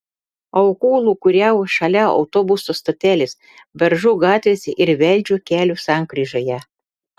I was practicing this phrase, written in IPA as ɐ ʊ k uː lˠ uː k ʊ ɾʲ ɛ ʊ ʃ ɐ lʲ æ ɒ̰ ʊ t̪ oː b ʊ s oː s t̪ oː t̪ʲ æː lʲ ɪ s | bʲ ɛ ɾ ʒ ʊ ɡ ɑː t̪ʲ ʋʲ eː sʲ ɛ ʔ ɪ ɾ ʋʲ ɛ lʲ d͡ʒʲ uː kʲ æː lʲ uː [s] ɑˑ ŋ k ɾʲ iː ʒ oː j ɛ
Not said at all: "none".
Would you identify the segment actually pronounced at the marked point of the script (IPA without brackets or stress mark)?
s